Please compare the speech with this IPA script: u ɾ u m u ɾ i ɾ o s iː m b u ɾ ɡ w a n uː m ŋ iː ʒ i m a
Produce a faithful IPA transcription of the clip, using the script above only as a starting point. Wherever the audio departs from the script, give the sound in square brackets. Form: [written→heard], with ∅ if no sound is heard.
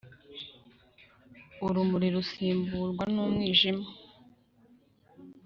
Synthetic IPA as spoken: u ɾ u m u ɾ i ɾ [o→u] s iː m b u ɾ ɡ w a n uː m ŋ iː ʒ i m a